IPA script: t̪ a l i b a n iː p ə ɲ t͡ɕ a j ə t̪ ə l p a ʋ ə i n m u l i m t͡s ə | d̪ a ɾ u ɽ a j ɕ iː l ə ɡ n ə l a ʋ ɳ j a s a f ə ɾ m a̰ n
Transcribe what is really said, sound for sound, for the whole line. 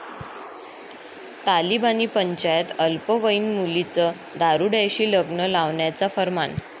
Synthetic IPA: t̪ a l i b a n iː p ə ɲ t͡ɕ a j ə t̪ ə l p ə ʋ ə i n m u l i t͡s ə | d̪ a ɾ u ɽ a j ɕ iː l ə ɡ n ə l a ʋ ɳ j a t͡s a f ə ɾ m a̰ n